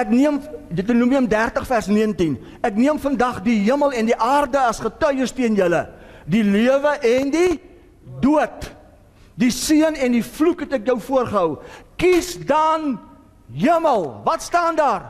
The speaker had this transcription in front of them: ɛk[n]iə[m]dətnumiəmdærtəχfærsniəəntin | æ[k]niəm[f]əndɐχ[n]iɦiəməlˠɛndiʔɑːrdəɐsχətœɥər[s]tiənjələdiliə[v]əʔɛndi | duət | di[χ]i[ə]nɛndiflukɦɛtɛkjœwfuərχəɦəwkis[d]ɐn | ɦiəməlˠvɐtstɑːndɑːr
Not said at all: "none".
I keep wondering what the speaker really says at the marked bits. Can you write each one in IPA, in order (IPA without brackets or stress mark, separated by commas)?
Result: n, m, k, f, d, s, v, s, ə, d